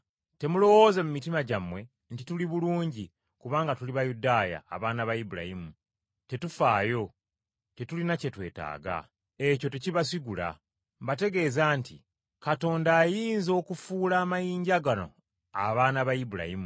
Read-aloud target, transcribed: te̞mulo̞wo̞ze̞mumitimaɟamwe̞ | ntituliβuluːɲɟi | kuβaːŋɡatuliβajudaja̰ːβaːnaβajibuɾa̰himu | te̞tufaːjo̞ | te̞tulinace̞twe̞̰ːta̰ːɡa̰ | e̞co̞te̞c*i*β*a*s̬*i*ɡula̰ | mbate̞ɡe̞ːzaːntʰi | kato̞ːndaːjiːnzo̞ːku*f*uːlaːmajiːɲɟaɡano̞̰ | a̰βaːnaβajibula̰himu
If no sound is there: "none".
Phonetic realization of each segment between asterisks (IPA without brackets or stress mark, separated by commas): i, a, i, f